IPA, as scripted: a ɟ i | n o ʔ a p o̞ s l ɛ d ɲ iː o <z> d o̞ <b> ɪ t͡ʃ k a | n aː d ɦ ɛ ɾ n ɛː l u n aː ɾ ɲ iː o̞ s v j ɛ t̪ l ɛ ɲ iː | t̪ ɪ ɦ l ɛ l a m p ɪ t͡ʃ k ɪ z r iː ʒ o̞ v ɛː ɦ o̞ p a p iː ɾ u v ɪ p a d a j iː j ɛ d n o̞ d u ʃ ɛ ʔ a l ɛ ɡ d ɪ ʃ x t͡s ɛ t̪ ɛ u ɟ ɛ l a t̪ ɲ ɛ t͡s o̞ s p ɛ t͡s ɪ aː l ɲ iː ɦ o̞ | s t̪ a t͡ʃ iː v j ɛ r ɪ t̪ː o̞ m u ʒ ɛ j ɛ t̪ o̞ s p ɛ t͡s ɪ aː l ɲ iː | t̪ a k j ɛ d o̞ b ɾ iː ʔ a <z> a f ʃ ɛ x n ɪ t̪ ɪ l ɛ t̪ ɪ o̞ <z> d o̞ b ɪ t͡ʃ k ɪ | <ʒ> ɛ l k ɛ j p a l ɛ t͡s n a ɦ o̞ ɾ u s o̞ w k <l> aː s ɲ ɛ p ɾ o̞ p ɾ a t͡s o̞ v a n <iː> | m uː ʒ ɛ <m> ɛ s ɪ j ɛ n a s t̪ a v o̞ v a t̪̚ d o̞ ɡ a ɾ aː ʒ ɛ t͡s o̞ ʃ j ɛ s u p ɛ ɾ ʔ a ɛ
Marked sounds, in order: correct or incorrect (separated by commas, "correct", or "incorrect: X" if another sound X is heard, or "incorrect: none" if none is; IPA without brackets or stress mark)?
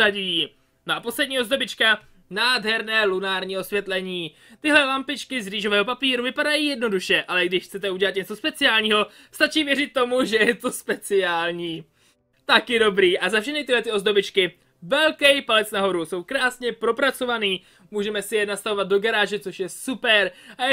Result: correct, correct, correct, correct, incorrect: v, incorrect: ɾ, correct, correct